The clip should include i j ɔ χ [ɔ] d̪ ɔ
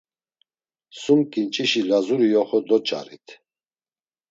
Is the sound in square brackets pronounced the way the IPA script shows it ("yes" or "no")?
yes